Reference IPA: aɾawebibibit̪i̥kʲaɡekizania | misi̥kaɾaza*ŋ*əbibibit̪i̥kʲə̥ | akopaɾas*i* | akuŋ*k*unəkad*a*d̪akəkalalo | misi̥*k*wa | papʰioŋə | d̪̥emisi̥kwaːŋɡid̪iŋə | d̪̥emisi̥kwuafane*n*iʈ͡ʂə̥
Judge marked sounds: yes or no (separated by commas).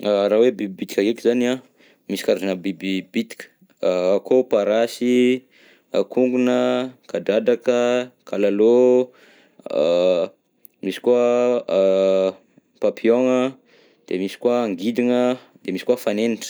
no, yes, no, yes, yes, yes